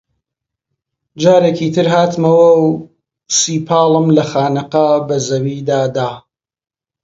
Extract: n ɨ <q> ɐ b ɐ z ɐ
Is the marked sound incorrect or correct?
correct